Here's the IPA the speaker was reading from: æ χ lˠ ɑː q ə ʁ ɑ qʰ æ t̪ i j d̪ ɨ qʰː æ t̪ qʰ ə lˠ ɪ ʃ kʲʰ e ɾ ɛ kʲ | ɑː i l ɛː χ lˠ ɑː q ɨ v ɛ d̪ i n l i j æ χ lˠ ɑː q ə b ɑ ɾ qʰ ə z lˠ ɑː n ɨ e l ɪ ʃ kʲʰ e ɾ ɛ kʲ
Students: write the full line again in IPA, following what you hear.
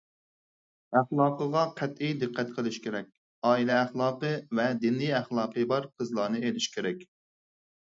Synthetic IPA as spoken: æ χ lˠ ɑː q ə ʁ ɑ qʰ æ t̪ i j d̪ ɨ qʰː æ t̪ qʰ ə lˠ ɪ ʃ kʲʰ e ɾ ɛ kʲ | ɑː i l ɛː χ lˠ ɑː q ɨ v ɛ d̪ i n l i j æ χ lˠ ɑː q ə b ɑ ɾ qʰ ə z lˠ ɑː n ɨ e l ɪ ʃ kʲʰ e ɾ ɛ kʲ